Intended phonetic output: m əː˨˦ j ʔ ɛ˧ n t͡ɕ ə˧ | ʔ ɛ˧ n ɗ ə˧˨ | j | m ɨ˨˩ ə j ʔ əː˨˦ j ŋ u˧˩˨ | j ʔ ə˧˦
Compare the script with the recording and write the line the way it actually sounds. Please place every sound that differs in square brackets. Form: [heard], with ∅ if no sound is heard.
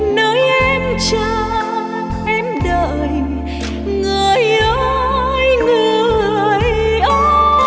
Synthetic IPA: [n] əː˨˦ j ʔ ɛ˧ [m] t͡ɕ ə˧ | ʔ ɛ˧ [m] ɗ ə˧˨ | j | [ŋ] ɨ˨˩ ə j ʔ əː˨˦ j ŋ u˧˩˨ | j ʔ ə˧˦